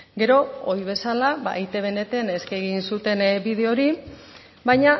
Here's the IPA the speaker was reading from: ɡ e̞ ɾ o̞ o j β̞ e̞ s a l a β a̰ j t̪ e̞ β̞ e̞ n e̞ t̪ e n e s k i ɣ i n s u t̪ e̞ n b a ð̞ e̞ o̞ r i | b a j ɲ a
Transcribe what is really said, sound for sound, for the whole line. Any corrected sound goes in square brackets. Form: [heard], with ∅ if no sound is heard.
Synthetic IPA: ɡ e̞ ɾ o̞ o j β̞ e̞ s a l a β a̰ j t̪ e̞ β̞ e̞ n e̞ t̪ e n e s k [e] ɣ i n s u t̪ e̞ n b [i] ð̞ e̞ o̞ [ɾ] i | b a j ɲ a